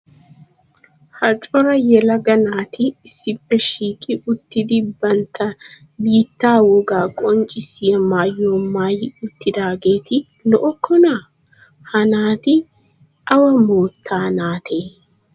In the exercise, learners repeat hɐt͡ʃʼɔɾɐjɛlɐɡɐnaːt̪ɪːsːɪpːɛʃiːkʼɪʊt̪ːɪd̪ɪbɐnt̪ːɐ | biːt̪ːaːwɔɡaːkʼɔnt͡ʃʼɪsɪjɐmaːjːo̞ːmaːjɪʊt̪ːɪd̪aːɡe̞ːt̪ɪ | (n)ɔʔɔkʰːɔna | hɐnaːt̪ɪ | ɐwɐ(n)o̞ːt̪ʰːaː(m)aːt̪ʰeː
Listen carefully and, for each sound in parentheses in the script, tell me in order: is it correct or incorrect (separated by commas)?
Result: correct, incorrect, incorrect